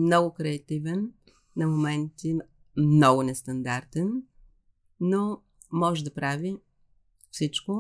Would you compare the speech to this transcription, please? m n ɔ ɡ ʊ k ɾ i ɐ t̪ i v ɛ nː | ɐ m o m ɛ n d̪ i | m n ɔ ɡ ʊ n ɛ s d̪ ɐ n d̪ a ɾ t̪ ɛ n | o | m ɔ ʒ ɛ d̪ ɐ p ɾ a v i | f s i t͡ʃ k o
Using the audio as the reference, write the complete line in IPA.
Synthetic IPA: m n ɔ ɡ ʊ k ɾ ɛ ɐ t̪ i v ɛ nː | ɐ m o m ɛ n t̪ i | m n ɔ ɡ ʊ n ɛ s t̪ ɐ n d̪ a ɾ t̪ ɛ n | o | m ɔ ʒ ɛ d̪ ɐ p ɾ a v i | f s i t͡ʃ k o